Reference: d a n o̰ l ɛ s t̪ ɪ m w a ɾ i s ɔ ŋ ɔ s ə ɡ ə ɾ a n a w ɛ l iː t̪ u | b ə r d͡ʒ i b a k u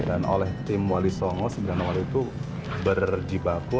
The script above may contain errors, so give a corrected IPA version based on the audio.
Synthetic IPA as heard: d a n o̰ l ɛ h t̪ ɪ m w a l i s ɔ ŋ ɔ s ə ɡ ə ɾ a n a w a l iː t̪ u | b ə r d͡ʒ i b a k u